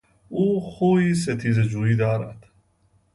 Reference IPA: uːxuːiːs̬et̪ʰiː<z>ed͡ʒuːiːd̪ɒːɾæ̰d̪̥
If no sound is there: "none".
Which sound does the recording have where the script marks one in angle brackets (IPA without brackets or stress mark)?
z